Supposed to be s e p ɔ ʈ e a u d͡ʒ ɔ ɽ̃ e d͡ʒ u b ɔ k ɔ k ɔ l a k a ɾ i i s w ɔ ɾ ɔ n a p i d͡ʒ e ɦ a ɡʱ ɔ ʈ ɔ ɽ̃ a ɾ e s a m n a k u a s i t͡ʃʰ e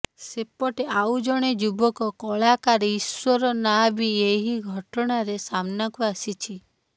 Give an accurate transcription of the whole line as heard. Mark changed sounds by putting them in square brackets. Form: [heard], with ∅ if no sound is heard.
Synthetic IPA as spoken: s e p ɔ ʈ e a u d͡ʒ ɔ ɽ̃ e d͡ʒ u b ɔ k ɔ k ɔ [ɭ] a k a ɾ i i s w ɔ ɾ ɔ n a [b] i [∅] e ɦ [i] ɡʱ ɔ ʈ ɔ ɽ̃ a ɾ e s a m n a k u a s i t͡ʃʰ [i]